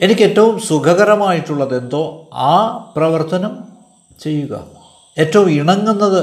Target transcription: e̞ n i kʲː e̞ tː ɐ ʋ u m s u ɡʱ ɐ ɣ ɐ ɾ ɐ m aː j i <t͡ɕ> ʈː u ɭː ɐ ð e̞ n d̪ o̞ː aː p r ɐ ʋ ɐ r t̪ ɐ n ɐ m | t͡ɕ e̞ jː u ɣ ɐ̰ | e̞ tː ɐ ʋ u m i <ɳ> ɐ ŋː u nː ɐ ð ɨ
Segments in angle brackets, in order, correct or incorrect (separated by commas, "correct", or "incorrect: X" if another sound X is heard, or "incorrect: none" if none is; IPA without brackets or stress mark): incorrect: none, correct